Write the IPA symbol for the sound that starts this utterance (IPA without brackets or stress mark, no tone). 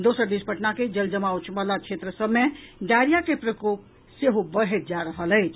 d̪